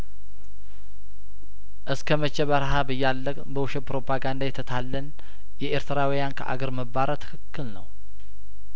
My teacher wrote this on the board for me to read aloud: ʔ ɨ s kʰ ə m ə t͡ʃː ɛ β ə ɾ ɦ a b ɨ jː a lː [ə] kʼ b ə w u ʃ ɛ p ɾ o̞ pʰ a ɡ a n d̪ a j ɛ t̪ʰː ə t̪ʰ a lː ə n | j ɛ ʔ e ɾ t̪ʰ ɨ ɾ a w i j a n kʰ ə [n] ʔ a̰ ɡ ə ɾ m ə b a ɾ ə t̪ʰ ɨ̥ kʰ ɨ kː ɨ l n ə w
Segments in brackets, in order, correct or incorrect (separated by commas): correct, incorrect